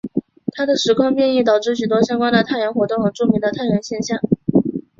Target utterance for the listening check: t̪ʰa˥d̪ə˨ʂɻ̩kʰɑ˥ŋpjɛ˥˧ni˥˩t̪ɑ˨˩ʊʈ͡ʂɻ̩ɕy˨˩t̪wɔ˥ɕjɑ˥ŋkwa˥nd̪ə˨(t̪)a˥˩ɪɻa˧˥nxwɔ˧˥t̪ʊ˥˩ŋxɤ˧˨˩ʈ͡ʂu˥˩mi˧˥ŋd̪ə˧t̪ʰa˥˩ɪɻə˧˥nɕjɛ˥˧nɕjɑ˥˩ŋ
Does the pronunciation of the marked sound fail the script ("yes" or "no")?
yes